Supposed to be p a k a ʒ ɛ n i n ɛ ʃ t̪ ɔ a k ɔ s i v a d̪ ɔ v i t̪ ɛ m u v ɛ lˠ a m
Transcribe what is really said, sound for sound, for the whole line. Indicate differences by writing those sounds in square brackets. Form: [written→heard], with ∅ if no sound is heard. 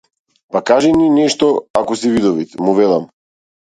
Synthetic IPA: p a k a ʒ ɛ n i n ɛ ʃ t̪ ɔ a k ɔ s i v [a→i] d̪ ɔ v i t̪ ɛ m u v ɛ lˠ a m